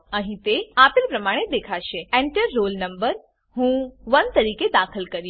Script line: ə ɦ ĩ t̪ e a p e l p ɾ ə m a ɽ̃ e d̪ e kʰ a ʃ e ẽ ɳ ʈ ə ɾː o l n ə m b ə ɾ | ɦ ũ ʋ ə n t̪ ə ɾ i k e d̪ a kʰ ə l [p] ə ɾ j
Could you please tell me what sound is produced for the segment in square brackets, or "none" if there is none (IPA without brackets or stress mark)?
k